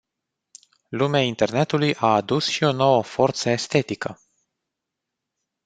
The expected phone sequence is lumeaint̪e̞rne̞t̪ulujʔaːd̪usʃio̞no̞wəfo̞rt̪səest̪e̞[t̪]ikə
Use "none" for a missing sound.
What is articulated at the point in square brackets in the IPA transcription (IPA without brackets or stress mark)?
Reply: t̪